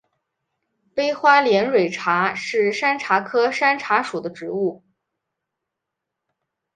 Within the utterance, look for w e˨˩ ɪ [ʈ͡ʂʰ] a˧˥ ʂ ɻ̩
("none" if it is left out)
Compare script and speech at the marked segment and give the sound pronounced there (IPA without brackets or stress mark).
ʈ͡ʂʰ